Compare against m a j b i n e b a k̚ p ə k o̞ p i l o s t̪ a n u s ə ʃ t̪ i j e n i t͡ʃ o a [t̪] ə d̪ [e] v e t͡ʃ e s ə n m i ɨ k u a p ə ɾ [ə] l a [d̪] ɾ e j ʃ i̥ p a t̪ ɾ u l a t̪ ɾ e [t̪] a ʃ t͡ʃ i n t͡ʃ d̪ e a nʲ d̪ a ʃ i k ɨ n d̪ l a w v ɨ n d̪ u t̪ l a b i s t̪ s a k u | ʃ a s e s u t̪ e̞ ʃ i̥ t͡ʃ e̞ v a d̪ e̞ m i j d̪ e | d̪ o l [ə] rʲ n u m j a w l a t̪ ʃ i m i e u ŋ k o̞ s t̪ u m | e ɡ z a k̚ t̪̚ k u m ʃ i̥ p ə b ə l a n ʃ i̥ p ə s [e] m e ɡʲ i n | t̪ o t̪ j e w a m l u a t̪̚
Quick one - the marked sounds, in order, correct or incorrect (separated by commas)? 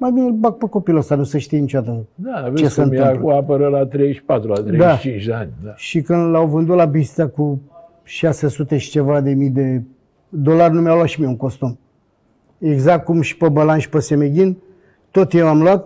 correct, incorrect, correct, incorrect, incorrect, incorrect, correct